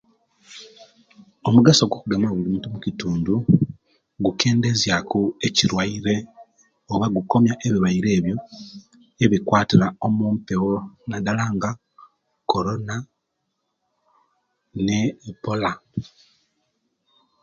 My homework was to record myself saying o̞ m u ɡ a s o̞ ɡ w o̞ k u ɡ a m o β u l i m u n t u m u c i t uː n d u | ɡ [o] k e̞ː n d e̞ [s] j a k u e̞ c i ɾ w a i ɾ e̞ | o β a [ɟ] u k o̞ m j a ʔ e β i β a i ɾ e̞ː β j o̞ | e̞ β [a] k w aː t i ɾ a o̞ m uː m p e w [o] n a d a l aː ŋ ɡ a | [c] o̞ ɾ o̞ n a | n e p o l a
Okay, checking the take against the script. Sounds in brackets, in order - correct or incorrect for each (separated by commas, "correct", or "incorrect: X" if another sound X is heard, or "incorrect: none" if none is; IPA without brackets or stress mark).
incorrect: u, incorrect: z, incorrect: ɡ, incorrect: i, correct, incorrect: k